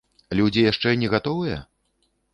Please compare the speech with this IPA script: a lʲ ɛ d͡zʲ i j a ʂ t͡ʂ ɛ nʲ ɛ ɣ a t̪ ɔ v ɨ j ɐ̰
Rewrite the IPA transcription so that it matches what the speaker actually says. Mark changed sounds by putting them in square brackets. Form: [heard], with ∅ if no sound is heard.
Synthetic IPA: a lʲ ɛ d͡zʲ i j a ʂ t͡ʂ ɛ nʲ ɛ ɣ a t̪ ɔ v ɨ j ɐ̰